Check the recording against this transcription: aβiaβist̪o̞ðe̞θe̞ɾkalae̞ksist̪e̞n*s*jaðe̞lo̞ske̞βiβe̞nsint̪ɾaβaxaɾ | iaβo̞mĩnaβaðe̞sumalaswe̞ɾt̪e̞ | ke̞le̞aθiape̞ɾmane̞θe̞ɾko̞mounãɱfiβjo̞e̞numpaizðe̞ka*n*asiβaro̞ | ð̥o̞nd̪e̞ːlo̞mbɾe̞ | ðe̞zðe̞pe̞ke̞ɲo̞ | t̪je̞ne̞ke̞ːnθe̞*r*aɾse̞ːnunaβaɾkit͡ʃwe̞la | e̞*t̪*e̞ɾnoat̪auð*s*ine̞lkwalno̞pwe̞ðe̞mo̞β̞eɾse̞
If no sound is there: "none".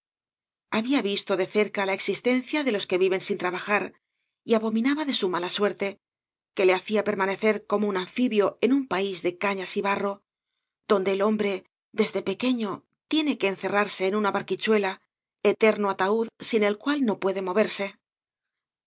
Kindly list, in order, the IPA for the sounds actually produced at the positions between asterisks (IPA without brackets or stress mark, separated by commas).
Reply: θ, ɲ, r, t̪, s